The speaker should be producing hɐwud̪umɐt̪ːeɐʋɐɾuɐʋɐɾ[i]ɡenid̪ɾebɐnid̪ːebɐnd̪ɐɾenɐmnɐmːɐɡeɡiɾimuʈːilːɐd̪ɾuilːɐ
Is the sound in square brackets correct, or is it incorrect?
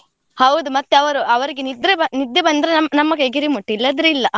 correct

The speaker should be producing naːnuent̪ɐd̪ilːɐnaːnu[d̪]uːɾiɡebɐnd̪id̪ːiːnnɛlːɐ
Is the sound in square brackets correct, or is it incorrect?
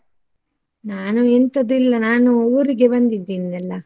incorrect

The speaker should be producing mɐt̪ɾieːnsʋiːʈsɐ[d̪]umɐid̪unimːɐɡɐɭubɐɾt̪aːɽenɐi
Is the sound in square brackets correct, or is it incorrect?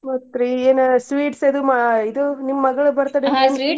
correct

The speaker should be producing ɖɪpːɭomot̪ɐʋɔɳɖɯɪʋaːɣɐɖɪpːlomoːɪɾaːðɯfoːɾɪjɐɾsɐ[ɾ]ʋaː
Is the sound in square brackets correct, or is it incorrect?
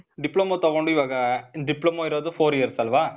incorrect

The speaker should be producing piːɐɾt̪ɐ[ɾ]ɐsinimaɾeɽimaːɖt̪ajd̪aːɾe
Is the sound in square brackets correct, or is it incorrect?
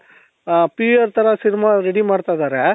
correct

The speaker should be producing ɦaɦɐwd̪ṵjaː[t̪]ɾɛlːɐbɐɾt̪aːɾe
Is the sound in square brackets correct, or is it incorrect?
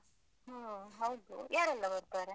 incorrect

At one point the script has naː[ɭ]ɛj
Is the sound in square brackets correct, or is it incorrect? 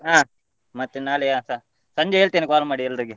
incorrect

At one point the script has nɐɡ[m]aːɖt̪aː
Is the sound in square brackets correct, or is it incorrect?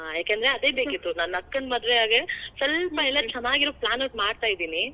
correct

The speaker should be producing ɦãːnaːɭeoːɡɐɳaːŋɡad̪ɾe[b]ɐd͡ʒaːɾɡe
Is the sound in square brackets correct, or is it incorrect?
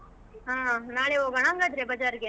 correct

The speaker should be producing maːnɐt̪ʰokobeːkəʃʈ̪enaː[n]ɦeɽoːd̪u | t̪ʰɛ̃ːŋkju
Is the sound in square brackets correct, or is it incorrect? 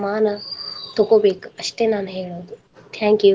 correct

